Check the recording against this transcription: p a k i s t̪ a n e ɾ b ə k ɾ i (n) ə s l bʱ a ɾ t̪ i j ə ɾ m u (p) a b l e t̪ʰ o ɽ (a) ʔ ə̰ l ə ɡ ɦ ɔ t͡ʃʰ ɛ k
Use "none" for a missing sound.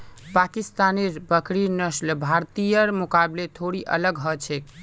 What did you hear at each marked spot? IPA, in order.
n, k, i

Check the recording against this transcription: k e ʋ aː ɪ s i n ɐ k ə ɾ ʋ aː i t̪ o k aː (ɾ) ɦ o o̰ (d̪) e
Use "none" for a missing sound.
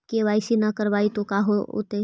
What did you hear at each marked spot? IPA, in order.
none, t̪

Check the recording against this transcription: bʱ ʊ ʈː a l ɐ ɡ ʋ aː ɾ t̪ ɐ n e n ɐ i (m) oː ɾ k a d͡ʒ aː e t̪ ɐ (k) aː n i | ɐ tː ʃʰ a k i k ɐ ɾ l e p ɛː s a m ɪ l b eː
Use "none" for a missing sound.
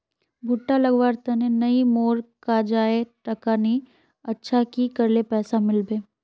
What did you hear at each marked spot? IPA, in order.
m, k

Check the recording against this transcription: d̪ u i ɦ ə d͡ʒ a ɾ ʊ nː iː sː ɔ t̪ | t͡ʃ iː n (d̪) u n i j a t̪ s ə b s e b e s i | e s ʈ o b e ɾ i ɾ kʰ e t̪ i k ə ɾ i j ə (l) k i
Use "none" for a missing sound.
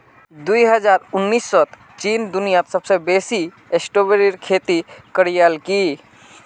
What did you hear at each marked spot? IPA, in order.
d̪, l

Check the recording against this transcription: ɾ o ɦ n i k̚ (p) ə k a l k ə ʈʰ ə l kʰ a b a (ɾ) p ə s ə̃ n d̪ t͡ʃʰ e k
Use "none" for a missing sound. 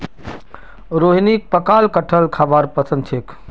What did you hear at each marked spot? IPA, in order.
p, ɾ

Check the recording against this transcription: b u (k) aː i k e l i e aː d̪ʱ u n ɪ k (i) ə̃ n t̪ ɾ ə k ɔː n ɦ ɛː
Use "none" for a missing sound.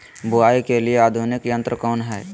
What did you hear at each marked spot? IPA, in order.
none, j

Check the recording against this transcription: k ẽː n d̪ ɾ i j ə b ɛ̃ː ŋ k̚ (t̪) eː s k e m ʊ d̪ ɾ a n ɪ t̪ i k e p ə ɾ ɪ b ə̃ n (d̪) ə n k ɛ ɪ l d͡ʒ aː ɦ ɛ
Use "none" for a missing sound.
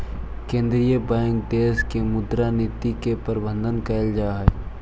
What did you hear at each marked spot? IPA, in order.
d̪, d̪

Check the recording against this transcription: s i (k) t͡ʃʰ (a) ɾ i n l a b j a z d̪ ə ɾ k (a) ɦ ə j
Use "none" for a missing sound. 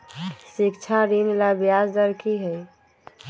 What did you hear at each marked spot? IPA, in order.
k, a, i

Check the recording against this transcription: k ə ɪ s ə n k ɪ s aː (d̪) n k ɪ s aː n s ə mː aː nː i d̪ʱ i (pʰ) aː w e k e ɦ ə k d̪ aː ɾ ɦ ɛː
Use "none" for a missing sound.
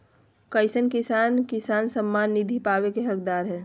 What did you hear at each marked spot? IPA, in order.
none, p

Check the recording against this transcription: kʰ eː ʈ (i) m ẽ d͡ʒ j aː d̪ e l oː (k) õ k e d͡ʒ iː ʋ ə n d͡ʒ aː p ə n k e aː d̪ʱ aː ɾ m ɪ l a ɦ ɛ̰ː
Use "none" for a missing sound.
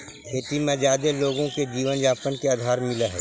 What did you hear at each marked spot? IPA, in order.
i, ɡ

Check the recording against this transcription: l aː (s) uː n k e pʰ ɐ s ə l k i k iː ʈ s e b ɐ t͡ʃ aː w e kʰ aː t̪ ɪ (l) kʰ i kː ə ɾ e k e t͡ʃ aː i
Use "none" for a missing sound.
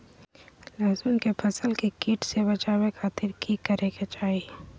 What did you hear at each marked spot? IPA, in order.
z, ɾ

